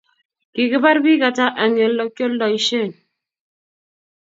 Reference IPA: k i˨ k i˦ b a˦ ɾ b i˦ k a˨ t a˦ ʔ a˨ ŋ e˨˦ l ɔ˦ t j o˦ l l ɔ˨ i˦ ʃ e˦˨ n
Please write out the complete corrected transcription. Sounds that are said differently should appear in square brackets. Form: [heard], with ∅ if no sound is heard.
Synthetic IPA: k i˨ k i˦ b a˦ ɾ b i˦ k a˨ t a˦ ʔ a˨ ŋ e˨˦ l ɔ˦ [k] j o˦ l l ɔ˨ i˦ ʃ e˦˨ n